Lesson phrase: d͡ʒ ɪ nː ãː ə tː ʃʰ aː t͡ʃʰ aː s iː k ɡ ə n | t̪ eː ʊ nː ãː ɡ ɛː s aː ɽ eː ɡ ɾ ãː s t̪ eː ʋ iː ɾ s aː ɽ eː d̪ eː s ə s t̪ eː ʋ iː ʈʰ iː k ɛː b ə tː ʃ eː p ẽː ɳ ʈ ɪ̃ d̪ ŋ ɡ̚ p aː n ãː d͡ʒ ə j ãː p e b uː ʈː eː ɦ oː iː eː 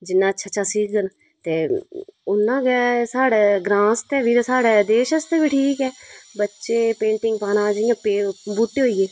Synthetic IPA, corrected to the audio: d͡ʒ ɪ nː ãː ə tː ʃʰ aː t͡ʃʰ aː s iː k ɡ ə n | t̪ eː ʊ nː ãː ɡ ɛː s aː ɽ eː ɡ ɾ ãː s t̪ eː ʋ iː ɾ s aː ɽ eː d̪ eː ʃ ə s t̪ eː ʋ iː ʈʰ iː k ɛː b ə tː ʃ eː p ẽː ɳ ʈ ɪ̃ ŋ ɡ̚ p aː n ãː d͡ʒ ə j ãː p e b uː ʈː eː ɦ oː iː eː